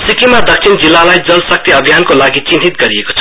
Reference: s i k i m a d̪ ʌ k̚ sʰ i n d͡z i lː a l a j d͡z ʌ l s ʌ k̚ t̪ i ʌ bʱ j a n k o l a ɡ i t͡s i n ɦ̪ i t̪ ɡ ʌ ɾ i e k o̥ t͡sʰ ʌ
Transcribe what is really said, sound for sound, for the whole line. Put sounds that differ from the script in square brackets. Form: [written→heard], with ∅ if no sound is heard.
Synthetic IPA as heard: s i k i m a d̪ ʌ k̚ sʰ i n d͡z i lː a l a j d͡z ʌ l s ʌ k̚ t̪ i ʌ bʱ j a n k o l a ɡ i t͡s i n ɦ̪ i t̪ ɡ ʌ ɾ i e k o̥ t͡sʰ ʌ